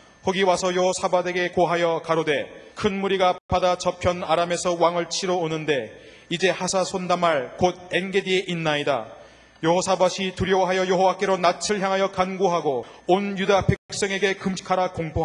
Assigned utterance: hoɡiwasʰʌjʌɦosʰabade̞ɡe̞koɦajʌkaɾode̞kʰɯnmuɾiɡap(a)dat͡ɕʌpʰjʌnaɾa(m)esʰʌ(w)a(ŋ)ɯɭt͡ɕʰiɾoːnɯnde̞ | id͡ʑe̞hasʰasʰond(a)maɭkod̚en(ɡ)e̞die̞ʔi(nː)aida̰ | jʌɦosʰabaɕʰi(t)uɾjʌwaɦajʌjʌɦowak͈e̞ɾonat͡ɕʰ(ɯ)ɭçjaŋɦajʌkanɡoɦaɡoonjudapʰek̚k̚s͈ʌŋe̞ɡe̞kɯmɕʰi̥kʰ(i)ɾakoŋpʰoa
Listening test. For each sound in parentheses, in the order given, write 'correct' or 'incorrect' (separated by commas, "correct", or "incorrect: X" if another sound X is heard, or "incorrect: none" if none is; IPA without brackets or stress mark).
correct, correct, correct, correct, correct, correct, correct, correct, correct, incorrect: a